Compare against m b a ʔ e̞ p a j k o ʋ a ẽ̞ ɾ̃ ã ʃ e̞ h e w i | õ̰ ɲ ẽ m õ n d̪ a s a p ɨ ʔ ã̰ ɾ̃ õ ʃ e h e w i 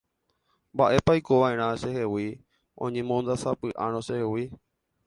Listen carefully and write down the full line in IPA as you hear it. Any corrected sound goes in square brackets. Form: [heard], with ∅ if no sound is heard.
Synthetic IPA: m b a ʔ e̞ p a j k o ʋ a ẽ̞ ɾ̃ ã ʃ e̞ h e w i | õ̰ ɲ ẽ m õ n d̪ a s a p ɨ ʔ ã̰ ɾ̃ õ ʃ e h e w i